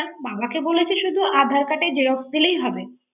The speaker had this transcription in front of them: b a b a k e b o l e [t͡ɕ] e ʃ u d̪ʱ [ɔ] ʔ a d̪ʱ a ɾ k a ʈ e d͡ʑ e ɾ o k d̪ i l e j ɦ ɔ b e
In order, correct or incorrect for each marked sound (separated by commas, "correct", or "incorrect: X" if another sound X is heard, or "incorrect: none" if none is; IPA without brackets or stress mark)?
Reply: incorrect: t͡ɕʰ, incorrect: u